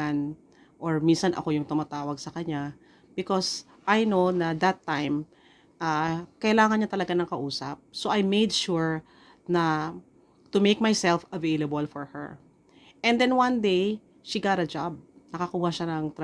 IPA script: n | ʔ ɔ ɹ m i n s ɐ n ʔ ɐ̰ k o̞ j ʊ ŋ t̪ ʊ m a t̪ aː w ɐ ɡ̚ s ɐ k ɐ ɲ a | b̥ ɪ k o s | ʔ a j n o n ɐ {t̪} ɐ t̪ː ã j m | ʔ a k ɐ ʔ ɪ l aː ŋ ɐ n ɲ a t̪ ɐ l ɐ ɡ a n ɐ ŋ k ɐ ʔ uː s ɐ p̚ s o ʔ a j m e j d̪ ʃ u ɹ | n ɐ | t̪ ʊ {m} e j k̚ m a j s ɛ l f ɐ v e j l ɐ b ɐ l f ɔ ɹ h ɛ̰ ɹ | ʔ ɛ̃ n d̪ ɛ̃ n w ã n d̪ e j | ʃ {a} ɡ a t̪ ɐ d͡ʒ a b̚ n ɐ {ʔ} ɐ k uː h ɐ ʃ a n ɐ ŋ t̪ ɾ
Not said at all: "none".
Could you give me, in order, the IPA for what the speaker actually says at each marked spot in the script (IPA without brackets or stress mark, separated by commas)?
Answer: d̪, m, i, k